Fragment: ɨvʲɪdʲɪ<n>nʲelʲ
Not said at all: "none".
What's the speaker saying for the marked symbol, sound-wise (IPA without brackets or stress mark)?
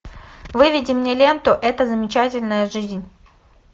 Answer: m